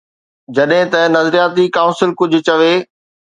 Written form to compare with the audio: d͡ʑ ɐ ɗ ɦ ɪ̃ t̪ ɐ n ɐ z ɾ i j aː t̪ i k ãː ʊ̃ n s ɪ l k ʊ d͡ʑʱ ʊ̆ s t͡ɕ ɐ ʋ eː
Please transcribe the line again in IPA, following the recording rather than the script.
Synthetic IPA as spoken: d͡ʑ ɐ ɗ ɦ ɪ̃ t̪ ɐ n ɐ z ɾ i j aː t̪ i k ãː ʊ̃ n s ɪ l k ʊ d͡ʑʱ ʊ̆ t͡ɕ ɐ ʋ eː